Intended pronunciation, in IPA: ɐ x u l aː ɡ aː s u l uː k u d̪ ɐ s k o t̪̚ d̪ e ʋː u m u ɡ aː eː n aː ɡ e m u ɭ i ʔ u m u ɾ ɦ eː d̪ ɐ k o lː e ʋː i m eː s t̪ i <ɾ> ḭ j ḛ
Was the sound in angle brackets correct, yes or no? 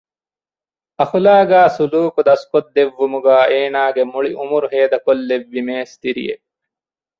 yes